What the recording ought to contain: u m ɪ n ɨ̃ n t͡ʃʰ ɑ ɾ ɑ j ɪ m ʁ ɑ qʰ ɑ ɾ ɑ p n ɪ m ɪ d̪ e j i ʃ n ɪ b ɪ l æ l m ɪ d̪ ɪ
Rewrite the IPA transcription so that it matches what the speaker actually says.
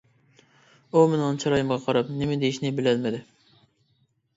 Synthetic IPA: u m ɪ n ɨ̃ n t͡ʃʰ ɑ ɾ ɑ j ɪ m ʁ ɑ qʰ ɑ ɾ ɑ p n ɪ m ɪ d̪ e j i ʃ n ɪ b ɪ l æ l m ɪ d̪ ɪ